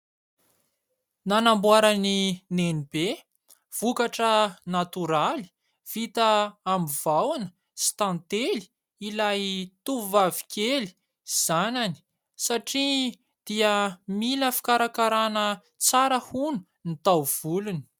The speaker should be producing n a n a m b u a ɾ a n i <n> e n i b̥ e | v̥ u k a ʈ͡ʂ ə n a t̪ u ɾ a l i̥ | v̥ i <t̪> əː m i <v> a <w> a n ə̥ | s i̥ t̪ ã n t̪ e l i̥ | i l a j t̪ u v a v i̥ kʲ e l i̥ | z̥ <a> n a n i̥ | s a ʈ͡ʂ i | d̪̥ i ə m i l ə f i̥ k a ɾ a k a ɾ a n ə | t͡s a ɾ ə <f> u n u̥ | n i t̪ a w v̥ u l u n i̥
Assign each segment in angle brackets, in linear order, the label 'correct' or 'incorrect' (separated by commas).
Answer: correct, correct, correct, correct, correct, incorrect